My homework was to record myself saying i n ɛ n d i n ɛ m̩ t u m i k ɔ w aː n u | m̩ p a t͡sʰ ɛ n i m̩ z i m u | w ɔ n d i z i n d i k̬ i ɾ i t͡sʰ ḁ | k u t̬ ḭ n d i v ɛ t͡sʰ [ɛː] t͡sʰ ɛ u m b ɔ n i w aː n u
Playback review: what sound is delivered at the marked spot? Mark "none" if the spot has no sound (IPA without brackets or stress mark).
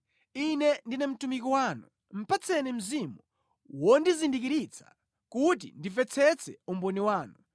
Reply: ɛ